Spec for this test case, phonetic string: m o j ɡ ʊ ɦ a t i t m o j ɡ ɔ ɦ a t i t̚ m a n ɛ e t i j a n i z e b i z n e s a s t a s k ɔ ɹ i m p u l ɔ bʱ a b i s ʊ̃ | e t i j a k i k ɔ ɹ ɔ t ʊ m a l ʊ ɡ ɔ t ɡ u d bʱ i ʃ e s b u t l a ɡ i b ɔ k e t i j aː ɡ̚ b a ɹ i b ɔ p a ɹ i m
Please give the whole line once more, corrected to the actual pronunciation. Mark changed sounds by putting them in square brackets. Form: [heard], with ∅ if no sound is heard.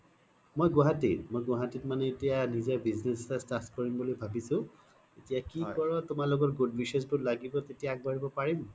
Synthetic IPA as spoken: m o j ɡ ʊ ɦ a t i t m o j ɡ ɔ ɦ a t i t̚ m a n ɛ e t i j a n i z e b i z n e s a s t a s k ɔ ɹ i m [b] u l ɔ bʱ a b i s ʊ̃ | e t i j a k i k ɔ ɹ ɔ t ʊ m a l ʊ ɡ ɔ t ɡ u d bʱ i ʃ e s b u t l a ɡ i b ɔ [t] e t i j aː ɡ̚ b a ɹ i b ɔ p a ɹ i m